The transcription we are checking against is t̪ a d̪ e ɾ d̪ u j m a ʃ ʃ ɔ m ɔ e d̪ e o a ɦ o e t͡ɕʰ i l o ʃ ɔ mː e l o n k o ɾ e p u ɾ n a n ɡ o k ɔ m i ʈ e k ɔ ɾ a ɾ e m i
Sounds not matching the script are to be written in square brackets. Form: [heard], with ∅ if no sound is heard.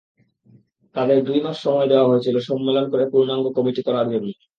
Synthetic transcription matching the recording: t̪ a d̪ e ɾ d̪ u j m a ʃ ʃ ɔ m ɔ e d̪ e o a ɦ o e t͡ɕʰ i l o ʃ ɔ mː e l o n k o ɾ e p u ɾ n a [ŋ] ɡ o k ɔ m i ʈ [i] k ɔ ɾ a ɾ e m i